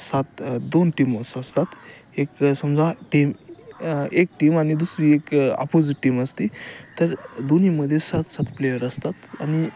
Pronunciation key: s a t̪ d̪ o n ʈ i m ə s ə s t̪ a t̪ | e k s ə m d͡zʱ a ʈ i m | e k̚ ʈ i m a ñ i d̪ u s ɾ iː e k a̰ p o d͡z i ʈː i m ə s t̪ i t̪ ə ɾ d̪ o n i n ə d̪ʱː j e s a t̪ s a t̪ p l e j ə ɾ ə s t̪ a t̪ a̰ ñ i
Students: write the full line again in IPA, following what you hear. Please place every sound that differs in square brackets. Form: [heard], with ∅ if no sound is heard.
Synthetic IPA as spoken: s a t̪ d̪ o n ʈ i m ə s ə s t̪ a t̪ | e k s ə m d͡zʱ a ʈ i m | e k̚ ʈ i m a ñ i d̪ u s ɾ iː e k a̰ p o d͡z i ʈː i m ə s t̪ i t̪ ə ɾ d̪ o n i [m] ə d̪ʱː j e s a t̪ s a t̪ p l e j ə ɾ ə s t̪ a t̪ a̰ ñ i